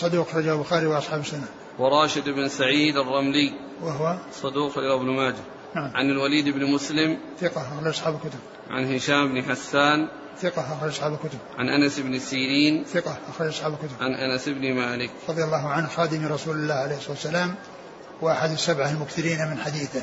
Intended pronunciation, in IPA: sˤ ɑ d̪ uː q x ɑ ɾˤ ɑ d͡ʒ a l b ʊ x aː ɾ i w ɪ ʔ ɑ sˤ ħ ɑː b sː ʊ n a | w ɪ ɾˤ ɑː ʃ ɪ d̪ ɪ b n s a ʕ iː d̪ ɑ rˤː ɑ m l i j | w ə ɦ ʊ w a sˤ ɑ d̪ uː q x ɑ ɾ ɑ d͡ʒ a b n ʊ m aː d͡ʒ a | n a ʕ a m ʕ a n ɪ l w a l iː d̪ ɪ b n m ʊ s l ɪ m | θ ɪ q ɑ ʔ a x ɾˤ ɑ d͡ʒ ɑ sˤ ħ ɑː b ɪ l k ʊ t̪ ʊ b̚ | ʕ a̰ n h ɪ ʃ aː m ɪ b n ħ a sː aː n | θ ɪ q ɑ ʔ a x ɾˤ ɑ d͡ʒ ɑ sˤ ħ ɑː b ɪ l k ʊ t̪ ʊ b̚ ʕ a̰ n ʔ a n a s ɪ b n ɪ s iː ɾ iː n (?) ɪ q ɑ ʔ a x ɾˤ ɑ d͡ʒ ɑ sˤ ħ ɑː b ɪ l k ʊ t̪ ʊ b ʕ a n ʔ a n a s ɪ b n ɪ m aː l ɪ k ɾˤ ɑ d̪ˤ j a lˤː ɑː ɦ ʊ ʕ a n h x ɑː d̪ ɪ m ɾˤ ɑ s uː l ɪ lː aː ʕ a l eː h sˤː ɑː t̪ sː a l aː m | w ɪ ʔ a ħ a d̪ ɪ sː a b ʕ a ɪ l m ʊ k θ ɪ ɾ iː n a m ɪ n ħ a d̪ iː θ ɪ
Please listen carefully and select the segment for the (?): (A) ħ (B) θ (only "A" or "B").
B